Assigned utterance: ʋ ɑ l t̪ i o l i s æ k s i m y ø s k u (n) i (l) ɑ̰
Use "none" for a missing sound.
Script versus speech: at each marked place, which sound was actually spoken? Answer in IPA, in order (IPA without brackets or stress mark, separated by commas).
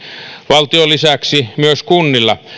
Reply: nː, lː